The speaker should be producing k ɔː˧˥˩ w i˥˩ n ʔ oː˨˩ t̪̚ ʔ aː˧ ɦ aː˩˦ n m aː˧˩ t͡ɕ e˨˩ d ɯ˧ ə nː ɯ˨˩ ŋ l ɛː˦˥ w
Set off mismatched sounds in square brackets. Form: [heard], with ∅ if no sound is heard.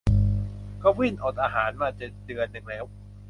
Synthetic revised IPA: k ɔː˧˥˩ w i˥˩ n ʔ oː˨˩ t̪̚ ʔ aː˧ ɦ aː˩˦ n m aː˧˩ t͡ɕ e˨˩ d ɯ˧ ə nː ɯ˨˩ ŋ l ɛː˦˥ w